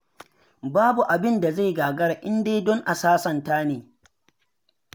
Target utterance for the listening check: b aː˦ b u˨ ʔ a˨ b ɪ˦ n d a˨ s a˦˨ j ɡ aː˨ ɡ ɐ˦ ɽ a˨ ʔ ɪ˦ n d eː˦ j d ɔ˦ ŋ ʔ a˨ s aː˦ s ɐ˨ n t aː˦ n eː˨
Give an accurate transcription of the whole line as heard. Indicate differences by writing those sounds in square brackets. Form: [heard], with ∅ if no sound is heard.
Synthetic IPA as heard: b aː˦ b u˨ ʔ a˨ b ɪ˦ n d a˨ [z] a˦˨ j ɡ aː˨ ɡ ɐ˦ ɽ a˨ ʔ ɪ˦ n d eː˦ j d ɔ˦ ŋ ʔ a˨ s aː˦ s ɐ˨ n t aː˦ n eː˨